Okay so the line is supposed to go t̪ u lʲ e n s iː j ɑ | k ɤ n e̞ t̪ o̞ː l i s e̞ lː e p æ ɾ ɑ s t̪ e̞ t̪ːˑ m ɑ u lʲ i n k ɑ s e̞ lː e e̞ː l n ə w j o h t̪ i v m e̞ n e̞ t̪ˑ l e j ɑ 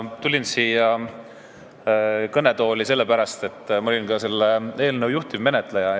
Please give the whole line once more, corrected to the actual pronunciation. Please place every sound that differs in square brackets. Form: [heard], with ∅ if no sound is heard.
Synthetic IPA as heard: t̪ u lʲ [i] n s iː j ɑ | k ɤ n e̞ t̪ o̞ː l i s e̞ lː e p æ ɾ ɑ s t̪ e̞ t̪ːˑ m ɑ [o] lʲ i n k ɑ s e̞ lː e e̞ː l n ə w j [u] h t̪ i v m e̞ n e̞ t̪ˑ l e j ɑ